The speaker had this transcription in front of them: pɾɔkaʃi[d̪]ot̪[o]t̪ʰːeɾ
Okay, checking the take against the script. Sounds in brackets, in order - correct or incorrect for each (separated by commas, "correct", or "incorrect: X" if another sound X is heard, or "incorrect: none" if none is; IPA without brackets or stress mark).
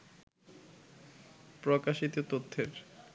incorrect: t̪, correct